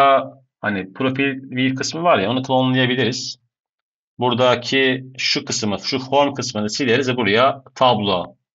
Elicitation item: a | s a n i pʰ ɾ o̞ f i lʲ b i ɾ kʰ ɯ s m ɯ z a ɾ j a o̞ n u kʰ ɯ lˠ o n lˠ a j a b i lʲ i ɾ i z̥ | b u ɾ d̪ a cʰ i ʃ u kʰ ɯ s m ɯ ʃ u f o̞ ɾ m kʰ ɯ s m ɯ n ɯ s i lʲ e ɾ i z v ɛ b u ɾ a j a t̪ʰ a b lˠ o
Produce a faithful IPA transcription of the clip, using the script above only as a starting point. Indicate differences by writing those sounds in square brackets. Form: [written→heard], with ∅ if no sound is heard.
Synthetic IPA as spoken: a | [s→h] a n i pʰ ɾ o̞ f i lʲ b i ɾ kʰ ɯ s m ɯ [z→v] a ɾ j a o̞ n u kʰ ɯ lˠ o n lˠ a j a b i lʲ i ɾ i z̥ | b u ɾ d̪ a cʰ i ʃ u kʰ ɯ s m ɯ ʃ u f o̞ ɾ m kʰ ɯ s m ɯ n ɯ s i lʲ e ɾ i z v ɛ b u ɾ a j a t̪ʰ a b lˠ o